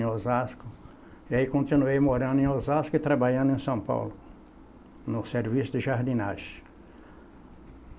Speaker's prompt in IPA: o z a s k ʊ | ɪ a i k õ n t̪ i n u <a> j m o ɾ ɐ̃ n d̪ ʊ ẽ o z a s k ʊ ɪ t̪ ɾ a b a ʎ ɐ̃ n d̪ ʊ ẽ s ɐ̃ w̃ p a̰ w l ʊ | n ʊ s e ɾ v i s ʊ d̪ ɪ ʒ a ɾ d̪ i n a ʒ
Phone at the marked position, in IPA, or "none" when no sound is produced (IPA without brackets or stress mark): e